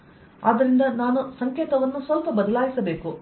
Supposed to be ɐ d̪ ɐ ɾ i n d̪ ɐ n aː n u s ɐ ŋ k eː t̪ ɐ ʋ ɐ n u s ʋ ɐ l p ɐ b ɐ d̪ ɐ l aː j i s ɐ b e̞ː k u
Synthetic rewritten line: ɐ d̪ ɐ ɾ i n d̪ ɐ n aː n u s ɐ ŋ k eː t̪ ɐ ʋ ɐ nː u s ʋ ɐ l p ɐ b ɐ d̪ ɐ l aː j i s ɐ b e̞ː k u